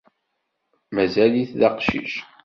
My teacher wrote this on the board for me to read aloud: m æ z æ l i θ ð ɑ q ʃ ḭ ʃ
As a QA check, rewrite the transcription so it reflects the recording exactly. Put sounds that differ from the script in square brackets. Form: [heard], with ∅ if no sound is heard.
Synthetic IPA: m æ z æ l i θ ð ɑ q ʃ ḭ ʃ